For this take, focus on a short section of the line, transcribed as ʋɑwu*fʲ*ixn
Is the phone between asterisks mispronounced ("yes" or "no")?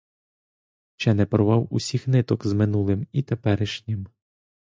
yes